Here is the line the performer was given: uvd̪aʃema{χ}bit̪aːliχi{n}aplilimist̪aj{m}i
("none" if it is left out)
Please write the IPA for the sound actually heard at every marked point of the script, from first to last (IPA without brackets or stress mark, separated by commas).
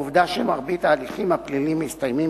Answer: ʁ, m, m